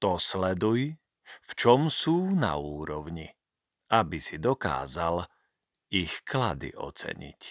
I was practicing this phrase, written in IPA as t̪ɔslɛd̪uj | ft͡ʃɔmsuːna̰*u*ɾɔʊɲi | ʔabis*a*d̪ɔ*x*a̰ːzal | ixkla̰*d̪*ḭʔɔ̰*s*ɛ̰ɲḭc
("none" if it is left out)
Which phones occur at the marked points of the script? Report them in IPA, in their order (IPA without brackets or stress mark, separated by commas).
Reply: uː, i, k, d̪, t͡s